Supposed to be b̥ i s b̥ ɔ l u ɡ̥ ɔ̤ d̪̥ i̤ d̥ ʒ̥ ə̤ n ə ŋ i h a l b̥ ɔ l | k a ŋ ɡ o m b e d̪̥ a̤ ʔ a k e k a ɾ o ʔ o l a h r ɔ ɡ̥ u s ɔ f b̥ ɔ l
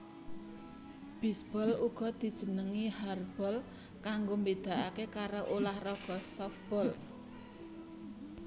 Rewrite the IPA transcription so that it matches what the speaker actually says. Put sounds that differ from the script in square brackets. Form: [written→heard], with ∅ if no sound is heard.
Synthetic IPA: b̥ i s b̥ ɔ l u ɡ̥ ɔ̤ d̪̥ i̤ d̥ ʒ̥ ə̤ n ə ŋ i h a [l→r] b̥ ɔ l | k a ŋ ɡ o m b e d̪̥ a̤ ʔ a k e k a ɾ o ʔ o l a h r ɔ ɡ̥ [u→ɔ] s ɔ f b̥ ɔ l